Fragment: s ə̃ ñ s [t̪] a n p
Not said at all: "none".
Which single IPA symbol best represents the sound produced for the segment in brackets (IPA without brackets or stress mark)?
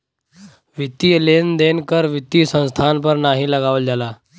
t̪ʰ